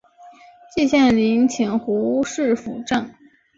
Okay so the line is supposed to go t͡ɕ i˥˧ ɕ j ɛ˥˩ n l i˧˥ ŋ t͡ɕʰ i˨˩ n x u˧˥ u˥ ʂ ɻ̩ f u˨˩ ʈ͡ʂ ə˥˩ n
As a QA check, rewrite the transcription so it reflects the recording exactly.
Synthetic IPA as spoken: t͡ɕ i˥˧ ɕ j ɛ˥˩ n l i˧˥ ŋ t͡ɕʰ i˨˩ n x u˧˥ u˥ ʂ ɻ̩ f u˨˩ ʈ͡ʂ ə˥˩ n